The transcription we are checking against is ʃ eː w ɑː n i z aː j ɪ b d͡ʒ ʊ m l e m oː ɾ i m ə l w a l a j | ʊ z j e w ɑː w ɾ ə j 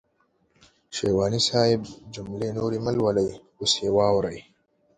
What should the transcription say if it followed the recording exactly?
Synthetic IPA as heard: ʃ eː w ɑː n i s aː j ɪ b d͡ʒ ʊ m l e n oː ɾ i m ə l w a l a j | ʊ s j e w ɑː w ɾ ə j